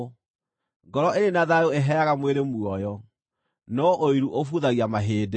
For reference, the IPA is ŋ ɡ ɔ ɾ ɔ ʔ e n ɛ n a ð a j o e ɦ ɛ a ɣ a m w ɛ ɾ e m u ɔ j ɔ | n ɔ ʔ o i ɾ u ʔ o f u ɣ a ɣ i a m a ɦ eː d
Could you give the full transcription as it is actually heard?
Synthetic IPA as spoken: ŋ ɡ ɔ ɾ ɔ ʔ e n e n a ð a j o e ɦ ɛ a ɣ a m w e ɾ e m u ɔ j ɔ | n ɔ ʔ o i ɾ u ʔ o f u ð a ɣ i a m a ɦ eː d